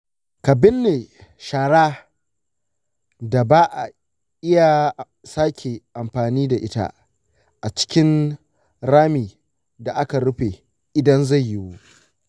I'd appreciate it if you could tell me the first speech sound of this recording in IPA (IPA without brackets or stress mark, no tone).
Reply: k